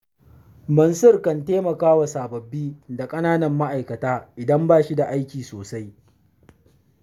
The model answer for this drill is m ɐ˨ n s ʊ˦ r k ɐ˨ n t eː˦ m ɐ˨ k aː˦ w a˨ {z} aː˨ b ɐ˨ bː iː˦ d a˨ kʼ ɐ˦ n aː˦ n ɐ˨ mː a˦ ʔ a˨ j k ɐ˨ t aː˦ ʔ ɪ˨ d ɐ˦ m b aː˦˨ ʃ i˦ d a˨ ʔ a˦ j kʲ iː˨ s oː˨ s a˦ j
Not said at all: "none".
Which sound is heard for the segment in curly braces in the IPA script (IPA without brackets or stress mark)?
s